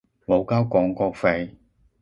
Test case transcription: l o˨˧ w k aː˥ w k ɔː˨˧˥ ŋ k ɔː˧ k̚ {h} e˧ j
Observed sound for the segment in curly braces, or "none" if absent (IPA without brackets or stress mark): f